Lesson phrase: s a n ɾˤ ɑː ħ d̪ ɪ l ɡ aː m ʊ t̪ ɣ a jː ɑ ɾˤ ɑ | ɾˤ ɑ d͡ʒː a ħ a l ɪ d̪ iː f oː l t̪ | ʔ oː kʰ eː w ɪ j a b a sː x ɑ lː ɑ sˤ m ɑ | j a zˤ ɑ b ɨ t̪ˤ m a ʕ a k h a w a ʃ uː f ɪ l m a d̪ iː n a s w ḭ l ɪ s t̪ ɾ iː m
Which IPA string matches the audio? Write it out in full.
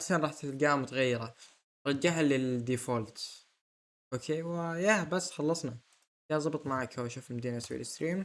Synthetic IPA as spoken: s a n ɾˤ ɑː ħ t̪ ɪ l ɡ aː m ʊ t̪ ɣ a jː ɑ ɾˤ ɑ | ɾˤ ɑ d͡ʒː a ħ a l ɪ d̪ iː f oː l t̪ | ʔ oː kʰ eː w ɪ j a b a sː x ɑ lː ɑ sˤ n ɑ | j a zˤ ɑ b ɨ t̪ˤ m a ʕ a k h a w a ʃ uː f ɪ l m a d̪ iː n a s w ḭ l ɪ s t̪ ɾ iː m

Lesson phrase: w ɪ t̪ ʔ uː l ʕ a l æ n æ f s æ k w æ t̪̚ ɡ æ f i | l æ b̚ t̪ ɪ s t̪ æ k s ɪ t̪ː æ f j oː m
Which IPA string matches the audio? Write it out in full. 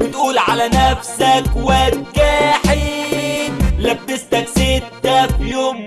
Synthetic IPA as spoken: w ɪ t̪ ʔ uː l ʕ a l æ n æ f s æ k w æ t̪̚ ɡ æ ħ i | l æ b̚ t̪ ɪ s t̪ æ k s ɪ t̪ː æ f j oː m

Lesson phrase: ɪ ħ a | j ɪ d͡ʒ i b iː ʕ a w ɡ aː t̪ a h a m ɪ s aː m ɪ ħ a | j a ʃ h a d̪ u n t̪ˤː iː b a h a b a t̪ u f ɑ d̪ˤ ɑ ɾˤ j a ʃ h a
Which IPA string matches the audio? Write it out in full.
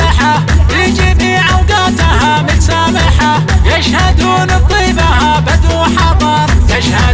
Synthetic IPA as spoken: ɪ ħ a | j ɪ d͡ʒ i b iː ʕ a w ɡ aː t̪ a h a m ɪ s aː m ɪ ħ a | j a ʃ h a d̪ uː n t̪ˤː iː b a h a b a d̪ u ħ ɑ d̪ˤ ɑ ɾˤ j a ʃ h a

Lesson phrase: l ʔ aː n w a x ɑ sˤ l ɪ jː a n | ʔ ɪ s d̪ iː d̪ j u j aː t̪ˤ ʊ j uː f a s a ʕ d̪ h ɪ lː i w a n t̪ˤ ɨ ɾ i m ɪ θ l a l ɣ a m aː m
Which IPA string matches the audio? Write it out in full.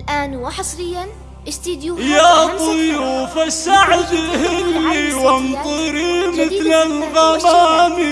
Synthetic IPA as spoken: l ʔ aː n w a ħ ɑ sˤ ɾ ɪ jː a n | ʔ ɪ s t̪ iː d̪ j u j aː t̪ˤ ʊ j uː f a s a ʕ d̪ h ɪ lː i w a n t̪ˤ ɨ ɾ i m ɪ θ l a l ɣ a m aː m

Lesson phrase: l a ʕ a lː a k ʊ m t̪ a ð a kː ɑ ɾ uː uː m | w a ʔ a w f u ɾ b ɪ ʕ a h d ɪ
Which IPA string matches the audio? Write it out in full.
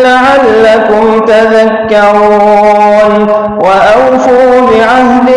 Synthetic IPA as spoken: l a ʕ a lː a k ʊ m t̪ a ð a kː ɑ ɾ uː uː n | w a ʔ a w f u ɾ b ɪ ʕ a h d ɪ

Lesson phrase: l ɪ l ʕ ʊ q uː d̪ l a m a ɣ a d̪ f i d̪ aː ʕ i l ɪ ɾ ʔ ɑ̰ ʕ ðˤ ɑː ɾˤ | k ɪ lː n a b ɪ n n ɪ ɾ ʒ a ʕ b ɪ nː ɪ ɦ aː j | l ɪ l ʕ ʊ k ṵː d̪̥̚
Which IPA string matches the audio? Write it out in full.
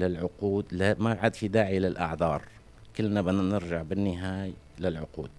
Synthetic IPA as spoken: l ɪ l ʕ ʊ q uː d̪ l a m a ʕ a d̪ f i d̪ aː ʕ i l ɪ l ʔ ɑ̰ ʕ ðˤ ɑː ɾˤ | k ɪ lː n a b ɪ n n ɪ ɾ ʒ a ʕ b ɪ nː ɪ ɦ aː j | l ɪ l ʕ ʊ q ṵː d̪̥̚

